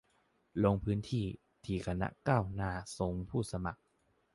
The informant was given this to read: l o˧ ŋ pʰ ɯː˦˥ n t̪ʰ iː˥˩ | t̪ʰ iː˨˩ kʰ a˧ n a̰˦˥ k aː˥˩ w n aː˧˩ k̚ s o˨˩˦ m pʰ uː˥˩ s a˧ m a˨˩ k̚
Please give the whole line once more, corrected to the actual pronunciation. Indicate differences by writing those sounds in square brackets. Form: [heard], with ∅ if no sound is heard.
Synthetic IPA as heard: l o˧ ŋ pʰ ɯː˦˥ n t̪ʰ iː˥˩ | t̪ʰ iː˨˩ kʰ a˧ n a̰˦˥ k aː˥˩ w n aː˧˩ [∅] s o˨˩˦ [ŋ] pʰ uː˥˩ s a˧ m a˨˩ k̚